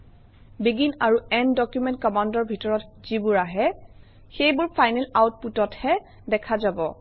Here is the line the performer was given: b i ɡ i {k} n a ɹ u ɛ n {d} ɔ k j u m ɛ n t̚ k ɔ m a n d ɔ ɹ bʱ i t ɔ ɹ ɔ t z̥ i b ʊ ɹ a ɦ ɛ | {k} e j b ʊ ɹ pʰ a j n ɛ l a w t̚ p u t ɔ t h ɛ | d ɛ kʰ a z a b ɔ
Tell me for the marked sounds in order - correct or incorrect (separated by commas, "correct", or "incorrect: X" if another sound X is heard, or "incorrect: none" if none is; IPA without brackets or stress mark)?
incorrect: none, correct, incorrect: x